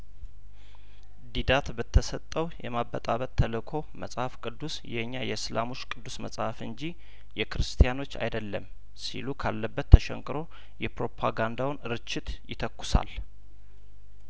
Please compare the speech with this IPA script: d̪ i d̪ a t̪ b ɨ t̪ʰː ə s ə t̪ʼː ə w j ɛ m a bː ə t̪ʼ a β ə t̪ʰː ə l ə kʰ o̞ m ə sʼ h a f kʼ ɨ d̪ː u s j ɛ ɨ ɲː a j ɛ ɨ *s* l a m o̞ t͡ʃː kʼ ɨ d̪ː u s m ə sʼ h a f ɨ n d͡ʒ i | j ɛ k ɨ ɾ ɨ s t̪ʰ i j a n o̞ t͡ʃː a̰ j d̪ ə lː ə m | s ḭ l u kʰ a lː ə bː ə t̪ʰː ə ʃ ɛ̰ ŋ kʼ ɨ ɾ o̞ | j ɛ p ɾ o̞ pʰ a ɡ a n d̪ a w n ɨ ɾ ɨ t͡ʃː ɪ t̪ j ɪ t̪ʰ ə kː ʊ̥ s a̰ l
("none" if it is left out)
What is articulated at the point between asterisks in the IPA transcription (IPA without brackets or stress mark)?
s